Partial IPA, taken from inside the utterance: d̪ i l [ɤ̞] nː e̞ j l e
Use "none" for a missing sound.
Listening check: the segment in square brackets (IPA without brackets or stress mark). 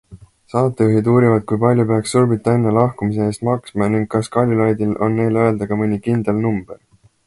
o̞